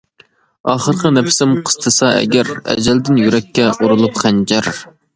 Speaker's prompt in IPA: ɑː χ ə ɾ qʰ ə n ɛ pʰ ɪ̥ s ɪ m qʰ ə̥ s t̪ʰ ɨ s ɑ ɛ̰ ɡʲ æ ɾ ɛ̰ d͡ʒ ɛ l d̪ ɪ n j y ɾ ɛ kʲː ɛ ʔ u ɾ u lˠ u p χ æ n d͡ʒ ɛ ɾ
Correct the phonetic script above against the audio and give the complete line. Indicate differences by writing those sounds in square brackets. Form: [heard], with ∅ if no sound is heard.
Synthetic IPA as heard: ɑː χ ə ɾ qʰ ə n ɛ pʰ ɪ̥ s ɪ m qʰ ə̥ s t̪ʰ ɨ s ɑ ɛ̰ ɡʲ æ ɾ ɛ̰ d͡ʒ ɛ l d̪ ɪ n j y ɾ ɛ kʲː ɛ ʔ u ɾ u lˠ u p χ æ n d͡ʒ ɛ ɾ